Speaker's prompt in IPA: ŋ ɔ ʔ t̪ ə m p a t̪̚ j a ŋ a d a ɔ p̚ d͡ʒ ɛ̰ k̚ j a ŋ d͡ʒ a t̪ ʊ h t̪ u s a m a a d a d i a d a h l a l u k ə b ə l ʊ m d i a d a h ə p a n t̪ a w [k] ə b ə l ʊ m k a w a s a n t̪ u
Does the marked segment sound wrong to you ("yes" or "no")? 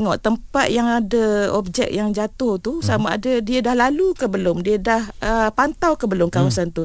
no